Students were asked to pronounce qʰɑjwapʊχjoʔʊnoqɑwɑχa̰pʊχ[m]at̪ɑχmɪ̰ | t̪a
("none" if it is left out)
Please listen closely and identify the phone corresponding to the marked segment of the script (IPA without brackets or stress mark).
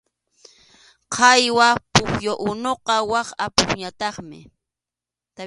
ɲ